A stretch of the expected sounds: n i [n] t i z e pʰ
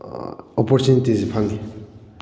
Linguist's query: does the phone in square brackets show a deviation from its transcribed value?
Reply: yes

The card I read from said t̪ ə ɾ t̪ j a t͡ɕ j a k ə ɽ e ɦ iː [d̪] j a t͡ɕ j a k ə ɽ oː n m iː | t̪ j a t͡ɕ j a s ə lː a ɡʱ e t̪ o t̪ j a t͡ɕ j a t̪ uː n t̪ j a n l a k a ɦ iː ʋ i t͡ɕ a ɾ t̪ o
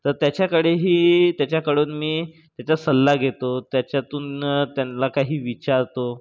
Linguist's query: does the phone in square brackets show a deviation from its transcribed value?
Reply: yes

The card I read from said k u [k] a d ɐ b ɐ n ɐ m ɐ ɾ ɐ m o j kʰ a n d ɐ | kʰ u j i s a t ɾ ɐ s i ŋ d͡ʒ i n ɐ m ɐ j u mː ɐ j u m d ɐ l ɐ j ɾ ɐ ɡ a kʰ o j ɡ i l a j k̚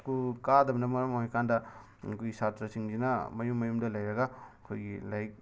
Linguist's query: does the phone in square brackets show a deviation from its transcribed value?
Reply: no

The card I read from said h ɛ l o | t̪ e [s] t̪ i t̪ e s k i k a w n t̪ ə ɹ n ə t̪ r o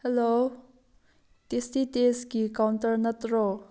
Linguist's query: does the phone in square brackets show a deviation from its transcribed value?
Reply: no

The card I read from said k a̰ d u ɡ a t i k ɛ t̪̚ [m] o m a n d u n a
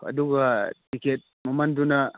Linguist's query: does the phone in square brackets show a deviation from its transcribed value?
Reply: no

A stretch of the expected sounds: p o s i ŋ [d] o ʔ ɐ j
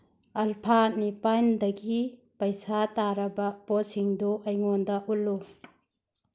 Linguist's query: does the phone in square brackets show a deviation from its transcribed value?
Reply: no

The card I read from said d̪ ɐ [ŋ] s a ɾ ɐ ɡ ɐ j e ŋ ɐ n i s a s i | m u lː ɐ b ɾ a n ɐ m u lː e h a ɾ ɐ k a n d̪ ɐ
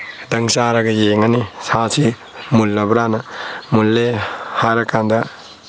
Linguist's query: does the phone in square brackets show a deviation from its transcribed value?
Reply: no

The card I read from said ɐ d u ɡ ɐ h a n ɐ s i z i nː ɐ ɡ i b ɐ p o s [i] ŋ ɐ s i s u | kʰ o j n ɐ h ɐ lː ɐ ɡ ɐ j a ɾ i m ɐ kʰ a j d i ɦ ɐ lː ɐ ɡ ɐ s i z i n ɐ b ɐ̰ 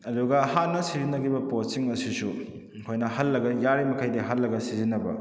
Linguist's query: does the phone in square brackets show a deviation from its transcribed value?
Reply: no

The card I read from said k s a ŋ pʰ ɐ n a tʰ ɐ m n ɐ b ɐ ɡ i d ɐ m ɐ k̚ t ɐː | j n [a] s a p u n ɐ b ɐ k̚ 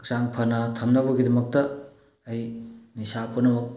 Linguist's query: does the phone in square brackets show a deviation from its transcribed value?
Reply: yes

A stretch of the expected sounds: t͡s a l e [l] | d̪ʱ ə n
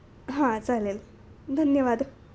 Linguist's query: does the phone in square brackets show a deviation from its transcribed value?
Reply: no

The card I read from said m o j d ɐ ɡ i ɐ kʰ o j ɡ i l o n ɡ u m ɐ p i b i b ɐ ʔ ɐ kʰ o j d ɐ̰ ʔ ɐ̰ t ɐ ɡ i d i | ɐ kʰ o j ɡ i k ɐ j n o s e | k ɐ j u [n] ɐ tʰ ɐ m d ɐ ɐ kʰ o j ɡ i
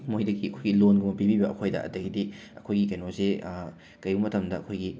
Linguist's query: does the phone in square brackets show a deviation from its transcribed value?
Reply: yes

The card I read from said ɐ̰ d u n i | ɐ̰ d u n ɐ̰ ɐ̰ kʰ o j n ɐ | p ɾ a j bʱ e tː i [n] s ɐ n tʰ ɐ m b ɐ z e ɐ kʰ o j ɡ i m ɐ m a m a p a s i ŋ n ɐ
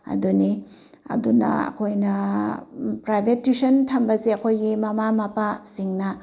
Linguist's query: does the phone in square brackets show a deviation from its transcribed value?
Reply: yes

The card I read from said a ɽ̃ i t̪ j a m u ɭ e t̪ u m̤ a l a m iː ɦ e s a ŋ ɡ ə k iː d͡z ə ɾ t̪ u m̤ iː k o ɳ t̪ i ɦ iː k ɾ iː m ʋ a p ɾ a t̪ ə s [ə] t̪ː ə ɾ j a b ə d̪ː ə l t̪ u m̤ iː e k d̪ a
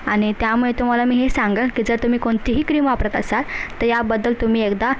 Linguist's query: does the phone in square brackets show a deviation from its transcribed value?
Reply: yes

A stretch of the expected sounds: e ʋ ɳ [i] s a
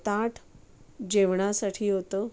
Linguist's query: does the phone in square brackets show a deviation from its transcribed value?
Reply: yes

